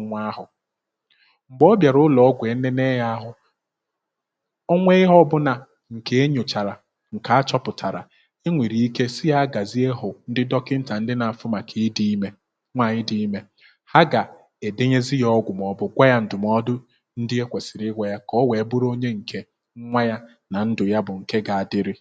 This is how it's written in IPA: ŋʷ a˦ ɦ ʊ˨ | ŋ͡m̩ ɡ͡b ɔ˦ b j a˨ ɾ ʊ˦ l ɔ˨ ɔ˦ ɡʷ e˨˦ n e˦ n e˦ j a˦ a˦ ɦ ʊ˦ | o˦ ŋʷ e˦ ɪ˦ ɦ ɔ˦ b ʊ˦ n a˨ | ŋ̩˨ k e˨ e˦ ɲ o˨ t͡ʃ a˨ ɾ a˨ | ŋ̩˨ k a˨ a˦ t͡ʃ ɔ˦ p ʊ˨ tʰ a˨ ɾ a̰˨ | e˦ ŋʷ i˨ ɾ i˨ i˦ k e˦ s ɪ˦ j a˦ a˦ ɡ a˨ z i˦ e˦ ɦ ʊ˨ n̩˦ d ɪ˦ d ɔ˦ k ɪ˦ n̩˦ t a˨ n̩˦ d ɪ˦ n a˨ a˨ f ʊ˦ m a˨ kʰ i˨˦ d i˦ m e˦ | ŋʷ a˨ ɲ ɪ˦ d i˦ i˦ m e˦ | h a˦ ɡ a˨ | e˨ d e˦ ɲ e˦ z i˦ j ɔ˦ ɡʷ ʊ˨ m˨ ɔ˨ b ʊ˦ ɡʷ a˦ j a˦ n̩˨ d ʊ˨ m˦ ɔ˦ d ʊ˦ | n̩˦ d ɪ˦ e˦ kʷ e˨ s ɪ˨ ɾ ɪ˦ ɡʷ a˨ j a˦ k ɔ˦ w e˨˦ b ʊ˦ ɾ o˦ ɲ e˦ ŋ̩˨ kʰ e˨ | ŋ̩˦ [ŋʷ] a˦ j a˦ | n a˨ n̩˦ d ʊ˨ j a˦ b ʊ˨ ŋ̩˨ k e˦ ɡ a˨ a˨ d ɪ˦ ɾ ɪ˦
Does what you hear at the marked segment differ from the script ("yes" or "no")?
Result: no